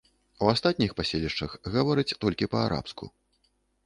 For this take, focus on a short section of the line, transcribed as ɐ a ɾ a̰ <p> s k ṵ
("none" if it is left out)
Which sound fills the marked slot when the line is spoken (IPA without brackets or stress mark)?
p